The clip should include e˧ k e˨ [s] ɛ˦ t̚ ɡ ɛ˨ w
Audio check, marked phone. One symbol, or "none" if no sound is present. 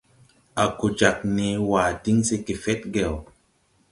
f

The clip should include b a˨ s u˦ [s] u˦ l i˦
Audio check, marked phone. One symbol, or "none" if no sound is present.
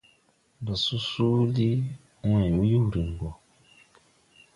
s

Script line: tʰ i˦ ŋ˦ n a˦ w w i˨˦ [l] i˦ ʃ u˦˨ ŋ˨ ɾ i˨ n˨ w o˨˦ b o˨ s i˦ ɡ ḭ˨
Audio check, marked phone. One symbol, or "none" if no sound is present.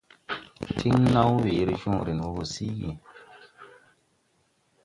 ɾ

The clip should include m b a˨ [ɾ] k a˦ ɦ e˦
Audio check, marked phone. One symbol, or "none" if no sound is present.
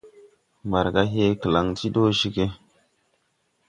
ɾ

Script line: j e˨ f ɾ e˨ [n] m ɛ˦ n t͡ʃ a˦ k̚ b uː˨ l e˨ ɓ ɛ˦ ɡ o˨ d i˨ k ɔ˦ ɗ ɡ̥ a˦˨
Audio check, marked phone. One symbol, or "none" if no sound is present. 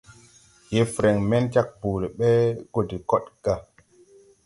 ŋ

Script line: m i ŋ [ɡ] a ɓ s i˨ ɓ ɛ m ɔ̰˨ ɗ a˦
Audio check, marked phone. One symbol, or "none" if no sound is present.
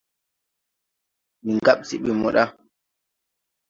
ɡ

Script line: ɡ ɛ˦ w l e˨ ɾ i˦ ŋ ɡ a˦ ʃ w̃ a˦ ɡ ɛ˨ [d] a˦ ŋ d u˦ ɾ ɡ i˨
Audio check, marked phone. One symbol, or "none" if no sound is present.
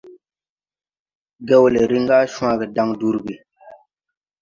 d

